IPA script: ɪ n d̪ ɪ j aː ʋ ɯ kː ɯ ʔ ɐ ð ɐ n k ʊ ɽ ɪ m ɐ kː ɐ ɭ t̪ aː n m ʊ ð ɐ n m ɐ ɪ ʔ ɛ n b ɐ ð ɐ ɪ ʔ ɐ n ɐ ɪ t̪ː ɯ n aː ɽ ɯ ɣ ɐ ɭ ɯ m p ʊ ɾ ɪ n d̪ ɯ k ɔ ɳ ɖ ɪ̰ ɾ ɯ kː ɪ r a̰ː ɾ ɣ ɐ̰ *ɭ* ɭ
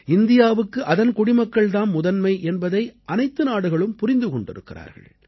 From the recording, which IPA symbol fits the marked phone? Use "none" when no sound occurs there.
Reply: ɭ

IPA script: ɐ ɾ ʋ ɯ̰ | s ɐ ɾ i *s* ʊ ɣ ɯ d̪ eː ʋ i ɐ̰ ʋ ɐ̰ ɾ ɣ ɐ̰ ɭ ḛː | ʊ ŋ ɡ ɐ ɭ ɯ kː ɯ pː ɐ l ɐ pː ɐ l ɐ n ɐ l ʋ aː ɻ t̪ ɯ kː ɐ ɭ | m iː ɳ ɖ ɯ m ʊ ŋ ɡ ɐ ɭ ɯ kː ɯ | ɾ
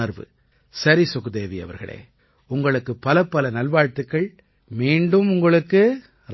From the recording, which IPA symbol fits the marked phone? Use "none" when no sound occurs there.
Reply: s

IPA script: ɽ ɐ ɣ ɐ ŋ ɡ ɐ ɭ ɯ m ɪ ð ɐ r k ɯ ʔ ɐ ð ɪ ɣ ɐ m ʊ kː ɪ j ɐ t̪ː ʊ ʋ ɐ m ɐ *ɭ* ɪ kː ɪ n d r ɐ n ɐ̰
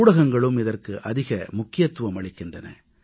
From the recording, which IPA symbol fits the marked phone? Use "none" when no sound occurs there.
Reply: ɭ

